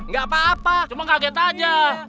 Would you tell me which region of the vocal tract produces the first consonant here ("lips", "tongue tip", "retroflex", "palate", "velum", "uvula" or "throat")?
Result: velum